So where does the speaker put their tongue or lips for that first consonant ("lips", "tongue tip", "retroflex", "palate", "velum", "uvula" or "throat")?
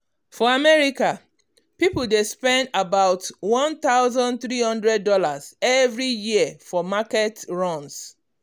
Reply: lips